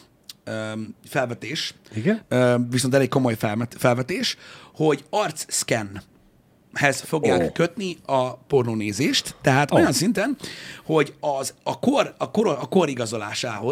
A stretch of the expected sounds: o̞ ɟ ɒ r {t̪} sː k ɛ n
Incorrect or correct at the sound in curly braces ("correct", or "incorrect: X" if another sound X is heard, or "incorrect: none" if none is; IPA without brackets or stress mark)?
correct